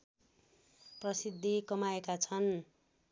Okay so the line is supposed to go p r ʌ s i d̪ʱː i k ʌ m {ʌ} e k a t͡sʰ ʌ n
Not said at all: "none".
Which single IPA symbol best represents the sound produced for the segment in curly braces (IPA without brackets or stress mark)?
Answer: a